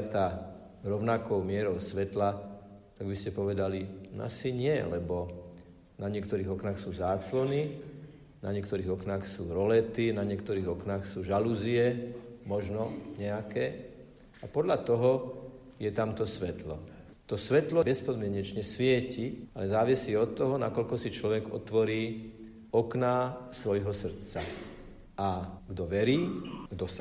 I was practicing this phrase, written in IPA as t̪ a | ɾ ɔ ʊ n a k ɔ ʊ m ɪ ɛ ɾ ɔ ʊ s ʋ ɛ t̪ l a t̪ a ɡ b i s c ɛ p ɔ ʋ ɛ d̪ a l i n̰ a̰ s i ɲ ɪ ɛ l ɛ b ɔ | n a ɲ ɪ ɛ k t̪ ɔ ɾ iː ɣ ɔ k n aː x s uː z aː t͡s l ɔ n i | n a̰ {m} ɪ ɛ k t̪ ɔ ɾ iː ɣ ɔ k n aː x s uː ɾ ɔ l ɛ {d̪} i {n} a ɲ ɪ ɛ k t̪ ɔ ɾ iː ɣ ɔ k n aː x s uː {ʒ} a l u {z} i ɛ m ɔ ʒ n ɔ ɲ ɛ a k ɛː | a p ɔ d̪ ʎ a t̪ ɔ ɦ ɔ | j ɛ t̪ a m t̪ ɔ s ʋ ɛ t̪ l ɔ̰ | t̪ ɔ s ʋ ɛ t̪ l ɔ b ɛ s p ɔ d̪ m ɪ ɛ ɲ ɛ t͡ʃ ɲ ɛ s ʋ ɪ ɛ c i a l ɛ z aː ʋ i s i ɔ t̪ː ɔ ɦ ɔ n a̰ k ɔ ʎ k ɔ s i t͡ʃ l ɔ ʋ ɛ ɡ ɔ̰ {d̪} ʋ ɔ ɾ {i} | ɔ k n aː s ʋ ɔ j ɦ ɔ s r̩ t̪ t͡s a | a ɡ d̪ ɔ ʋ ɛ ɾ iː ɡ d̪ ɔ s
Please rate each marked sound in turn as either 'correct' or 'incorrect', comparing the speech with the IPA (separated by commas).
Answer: incorrect, incorrect, correct, correct, correct, incorrect, incorrect